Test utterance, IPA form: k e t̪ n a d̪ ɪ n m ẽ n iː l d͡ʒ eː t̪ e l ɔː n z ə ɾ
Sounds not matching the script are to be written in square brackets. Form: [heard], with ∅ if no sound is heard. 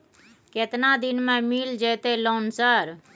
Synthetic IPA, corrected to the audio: k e t̪ n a d̪ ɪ n m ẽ [m] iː l d͡ʒ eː t̪ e l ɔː n [s] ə ɾ